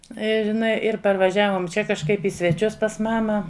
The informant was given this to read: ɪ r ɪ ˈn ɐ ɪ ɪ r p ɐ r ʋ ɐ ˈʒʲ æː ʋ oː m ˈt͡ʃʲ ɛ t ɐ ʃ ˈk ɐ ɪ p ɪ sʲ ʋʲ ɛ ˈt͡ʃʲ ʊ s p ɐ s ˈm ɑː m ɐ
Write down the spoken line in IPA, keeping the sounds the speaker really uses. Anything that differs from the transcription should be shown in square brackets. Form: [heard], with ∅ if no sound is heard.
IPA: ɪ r ɪ ˈn ɐ ɪ ɪ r p ɐ r ʋ ɐ ˈʒʲ æː ʋ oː m ˈt͡ʃʲ ɛ [k] ɐ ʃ ˈk ɐ ɪ p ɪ sʲ ʋʲ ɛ ˈt͡ʃʲ ʊ s p ɐ s ˈm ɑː m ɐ